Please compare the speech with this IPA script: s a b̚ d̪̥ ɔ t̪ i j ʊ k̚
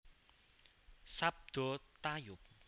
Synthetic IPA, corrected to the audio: s a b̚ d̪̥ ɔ t̪ a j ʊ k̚